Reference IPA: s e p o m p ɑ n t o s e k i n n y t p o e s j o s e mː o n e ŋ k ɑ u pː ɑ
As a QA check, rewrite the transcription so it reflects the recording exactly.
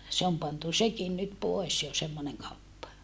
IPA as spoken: s e o m p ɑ n t u s e k i n n y t p o e s j o s e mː o n e ŋ k ɑ u pː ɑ